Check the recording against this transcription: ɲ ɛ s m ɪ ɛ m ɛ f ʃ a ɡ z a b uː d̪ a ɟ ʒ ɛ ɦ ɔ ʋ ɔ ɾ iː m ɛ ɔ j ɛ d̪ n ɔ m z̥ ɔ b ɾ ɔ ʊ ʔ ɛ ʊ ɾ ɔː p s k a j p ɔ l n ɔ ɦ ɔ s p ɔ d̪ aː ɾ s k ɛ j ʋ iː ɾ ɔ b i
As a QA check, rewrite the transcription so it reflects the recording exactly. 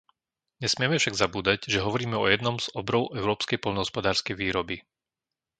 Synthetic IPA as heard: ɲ ɛ s m ɪ ɛ m ɛ f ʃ a ɡ z a b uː d̪ a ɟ ʒ ɛ ɦ ɔ ʋ ɔ ɾ iː m ɛ ɔ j ɛ d̪ n ɔ m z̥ ɔ b ɾ ɔ ʊ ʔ ɛ ʊ ɾ ɔː p s k ɛ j p ɔ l n ɔ ɦ ɔ s p ɔ d̪ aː ɾ s k ɛ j ʋ iː ɾ ɔ b i